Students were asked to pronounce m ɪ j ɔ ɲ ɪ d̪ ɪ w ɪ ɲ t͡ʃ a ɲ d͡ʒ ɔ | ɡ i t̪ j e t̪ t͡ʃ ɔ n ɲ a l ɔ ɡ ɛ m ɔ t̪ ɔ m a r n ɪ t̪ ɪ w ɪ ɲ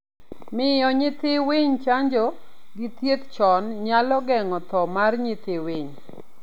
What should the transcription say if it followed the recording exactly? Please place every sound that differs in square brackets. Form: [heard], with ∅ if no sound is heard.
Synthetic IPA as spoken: m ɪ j ɔ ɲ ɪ [t̪] ɪ w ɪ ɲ t͡ʃ a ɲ d͡ʒ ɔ | ɡ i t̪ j e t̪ t͡ʃ ɔ n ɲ a l ɔ ɡ ɛ [ŋ] ɔ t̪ ɔ m a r [ɲ] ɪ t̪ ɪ w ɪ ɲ